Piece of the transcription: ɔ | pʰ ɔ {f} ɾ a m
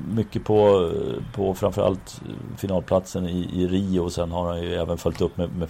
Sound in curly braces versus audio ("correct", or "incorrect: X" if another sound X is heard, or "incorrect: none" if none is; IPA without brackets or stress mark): correct